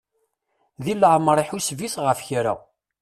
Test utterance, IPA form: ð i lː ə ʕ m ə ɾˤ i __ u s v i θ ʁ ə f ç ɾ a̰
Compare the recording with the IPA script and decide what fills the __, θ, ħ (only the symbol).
ħ